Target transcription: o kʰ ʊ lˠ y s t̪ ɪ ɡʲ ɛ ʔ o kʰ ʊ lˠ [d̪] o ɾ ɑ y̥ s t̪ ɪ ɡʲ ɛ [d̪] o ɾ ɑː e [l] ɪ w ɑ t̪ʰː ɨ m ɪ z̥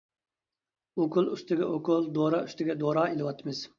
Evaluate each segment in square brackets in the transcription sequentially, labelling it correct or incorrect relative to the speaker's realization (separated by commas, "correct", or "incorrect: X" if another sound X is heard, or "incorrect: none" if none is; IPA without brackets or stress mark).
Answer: correct, correct, correct